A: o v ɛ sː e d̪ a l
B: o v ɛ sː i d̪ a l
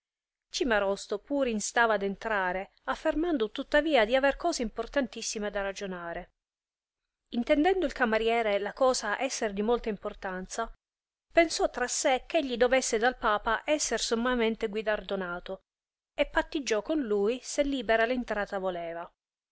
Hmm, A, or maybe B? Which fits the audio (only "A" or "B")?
A